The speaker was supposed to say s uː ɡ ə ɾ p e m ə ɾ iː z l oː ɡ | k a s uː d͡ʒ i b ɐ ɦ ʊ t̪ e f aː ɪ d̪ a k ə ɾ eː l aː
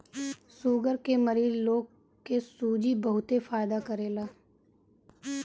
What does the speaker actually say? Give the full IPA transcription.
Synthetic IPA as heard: s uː ɡ ə ɾ k e m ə ɾ iː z l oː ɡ | k e s uː d͡ʒ i b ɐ ɦ ʊ t̪ e f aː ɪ d̪ a k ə ɾ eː l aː